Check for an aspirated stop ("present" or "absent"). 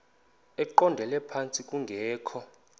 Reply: present